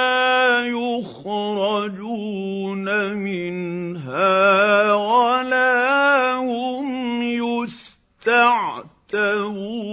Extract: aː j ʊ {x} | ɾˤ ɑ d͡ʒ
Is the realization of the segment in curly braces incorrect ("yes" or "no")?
no